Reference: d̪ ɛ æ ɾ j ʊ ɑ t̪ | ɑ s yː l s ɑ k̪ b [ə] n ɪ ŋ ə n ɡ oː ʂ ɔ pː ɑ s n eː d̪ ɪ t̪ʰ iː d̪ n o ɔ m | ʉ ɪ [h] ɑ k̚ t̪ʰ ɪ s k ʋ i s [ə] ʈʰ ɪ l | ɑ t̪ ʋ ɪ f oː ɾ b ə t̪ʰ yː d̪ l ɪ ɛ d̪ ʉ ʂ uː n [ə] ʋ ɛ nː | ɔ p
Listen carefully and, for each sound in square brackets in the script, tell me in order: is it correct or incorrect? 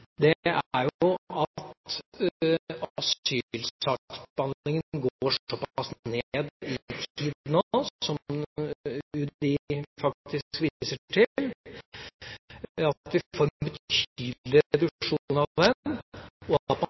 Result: incorrect, incorrect, correct, incorrect

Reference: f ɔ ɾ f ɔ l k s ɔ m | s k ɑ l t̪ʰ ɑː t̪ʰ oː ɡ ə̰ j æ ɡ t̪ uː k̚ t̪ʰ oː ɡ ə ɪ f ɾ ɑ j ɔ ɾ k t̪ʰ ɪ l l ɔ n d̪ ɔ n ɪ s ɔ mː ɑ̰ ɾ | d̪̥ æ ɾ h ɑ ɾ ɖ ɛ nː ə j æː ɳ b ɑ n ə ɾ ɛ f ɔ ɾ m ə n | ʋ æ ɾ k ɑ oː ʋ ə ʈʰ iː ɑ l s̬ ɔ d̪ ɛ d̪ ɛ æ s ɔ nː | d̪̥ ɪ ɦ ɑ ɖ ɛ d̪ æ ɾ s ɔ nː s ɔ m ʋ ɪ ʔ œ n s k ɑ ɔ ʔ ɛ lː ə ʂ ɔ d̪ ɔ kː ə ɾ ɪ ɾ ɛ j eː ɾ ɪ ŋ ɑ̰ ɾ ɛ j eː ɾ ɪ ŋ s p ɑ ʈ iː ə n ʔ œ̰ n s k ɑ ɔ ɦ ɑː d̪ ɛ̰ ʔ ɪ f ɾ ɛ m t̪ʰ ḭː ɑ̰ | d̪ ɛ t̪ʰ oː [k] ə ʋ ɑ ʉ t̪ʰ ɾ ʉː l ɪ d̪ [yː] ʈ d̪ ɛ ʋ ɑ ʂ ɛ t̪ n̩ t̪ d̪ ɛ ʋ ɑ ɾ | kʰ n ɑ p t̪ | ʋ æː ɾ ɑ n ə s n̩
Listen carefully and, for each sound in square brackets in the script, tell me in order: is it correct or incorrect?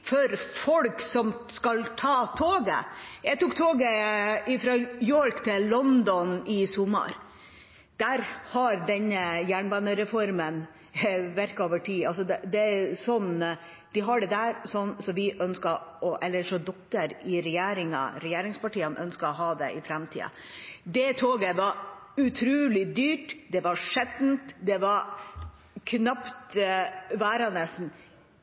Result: incorrect, correct

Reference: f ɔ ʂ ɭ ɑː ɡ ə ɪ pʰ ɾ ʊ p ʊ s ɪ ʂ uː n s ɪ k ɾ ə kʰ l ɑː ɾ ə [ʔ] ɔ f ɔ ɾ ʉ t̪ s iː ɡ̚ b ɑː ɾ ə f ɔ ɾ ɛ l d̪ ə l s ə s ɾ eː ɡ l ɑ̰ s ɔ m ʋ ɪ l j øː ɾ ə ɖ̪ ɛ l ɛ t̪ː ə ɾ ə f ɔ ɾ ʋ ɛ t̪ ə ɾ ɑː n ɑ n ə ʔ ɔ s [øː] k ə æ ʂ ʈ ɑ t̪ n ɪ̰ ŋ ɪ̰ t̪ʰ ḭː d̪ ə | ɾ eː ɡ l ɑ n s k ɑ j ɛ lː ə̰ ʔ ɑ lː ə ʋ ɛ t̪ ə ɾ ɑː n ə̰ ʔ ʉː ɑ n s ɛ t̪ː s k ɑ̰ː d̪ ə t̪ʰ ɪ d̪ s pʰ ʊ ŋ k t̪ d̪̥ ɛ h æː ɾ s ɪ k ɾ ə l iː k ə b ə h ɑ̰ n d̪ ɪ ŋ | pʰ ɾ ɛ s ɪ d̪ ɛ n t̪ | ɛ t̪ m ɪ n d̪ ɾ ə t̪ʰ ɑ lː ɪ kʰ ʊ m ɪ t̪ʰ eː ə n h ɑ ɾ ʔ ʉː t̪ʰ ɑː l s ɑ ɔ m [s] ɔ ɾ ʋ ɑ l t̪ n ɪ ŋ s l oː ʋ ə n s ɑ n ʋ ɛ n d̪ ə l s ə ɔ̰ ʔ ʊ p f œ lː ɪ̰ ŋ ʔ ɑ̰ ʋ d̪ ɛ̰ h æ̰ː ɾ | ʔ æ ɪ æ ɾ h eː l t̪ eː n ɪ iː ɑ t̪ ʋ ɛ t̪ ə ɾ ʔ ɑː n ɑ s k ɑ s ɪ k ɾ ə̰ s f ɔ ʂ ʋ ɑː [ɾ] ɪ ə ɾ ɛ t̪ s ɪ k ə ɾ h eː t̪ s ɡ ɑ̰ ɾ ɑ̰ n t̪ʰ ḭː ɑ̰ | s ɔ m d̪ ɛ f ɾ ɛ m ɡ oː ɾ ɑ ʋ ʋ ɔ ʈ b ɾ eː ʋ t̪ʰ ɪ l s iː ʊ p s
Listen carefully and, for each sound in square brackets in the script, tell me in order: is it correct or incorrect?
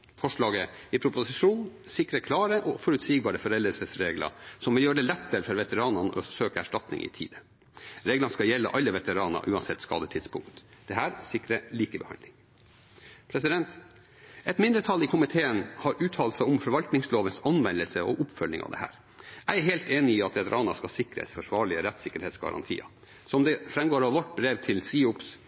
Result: correct, correct, incorrect, incorrect

